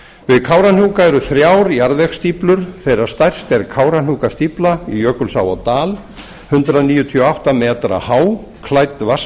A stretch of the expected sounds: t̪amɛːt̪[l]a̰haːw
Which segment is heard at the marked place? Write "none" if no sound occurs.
ɾ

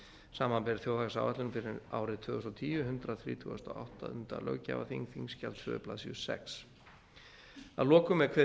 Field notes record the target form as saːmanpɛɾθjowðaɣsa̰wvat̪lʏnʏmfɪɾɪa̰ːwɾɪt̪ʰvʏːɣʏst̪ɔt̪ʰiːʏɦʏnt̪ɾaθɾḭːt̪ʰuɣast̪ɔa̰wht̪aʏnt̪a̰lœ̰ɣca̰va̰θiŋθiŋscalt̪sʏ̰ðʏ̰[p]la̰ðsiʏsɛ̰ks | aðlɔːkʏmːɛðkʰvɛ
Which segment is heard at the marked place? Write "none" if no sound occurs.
p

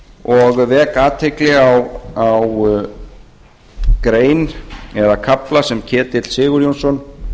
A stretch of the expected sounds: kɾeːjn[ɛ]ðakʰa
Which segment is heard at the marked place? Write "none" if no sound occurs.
ɛ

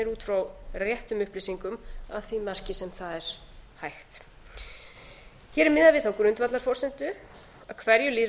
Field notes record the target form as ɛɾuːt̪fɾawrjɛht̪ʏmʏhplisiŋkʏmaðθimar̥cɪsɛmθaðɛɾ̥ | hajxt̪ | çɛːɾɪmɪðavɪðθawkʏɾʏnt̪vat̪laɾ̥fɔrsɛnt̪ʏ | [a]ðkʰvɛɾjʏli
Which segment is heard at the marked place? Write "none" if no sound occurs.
a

